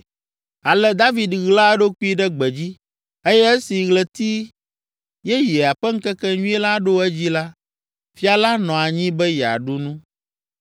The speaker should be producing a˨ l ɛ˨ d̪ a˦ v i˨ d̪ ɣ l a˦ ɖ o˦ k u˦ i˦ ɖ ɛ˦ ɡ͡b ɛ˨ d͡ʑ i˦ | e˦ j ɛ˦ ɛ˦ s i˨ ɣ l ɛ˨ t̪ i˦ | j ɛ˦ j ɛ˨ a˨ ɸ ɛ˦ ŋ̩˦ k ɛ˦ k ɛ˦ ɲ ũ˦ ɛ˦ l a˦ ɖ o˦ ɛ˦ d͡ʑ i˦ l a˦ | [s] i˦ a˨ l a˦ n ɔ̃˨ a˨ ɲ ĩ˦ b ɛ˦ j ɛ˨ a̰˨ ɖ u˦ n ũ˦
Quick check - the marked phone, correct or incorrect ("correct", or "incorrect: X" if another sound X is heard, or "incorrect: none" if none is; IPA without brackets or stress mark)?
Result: incorrect: f